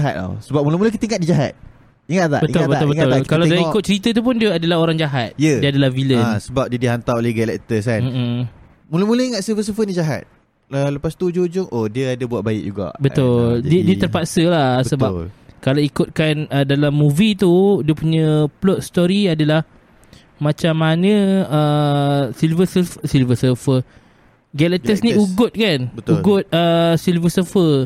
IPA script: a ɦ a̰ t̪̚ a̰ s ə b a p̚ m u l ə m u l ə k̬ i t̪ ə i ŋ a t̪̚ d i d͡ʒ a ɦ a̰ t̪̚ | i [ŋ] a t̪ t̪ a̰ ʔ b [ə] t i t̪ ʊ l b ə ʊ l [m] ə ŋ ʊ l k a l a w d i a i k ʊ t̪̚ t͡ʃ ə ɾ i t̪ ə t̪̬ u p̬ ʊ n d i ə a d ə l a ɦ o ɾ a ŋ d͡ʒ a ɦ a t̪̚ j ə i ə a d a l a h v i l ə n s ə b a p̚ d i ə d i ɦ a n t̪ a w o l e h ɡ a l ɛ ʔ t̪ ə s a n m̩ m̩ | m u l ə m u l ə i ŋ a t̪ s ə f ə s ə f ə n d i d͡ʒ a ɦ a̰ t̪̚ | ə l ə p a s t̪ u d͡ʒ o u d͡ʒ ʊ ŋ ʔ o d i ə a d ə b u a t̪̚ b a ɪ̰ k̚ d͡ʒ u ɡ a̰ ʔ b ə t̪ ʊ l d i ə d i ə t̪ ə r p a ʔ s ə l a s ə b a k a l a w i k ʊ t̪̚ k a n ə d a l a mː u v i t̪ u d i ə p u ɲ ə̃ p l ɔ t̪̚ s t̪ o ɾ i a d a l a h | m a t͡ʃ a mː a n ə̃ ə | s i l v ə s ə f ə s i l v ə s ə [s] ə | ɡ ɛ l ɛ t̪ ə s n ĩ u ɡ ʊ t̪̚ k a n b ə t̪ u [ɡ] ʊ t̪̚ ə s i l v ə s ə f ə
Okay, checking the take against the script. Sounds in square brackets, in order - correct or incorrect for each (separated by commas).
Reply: correct, correct, incorrect, incorrect, correct